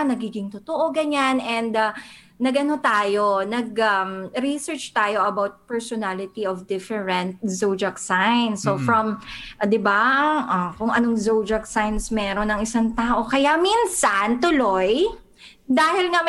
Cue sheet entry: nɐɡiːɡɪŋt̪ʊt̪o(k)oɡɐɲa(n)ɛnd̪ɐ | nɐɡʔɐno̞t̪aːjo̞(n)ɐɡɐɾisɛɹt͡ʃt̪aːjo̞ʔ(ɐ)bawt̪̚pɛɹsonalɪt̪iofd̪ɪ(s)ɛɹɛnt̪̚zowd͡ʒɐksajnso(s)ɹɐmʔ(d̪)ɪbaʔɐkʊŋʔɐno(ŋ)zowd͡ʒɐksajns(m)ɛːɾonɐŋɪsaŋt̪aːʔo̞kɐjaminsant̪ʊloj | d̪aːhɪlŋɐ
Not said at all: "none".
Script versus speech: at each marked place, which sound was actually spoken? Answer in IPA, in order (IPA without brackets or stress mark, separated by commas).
ʔ, n, n, ɐ, f, f, d̪, ŋ, m